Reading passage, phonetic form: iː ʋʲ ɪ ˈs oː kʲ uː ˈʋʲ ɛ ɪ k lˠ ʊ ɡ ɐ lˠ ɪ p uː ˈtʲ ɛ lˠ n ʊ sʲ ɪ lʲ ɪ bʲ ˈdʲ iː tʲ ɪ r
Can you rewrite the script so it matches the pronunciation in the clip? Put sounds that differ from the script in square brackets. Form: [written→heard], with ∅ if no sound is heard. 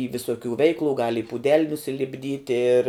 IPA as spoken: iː ʋʲ ɪ ˈs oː kʲ uː ˈʋʲ ɛ ɪ k lˠ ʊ ɡ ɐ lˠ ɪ p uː [ˈtʲ→ˈdʲ] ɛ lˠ n ʊ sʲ ɪ lʲ ɪ bʲ ˈdʲ iː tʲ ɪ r